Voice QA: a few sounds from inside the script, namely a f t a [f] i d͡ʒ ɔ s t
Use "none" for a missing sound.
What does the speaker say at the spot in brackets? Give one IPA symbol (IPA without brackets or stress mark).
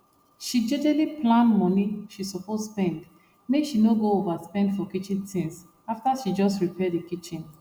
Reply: ʃ